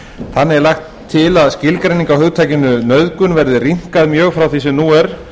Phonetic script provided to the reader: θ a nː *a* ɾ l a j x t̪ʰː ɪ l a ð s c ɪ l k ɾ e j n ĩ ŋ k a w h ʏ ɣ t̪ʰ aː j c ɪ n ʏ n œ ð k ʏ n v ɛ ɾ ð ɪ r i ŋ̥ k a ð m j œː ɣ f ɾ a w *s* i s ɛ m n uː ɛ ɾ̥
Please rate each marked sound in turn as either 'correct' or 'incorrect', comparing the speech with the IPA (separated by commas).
incorrect, incorrect